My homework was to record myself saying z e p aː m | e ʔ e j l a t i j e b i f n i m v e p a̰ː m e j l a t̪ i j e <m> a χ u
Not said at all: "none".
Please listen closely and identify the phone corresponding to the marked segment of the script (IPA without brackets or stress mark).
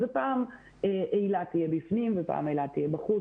b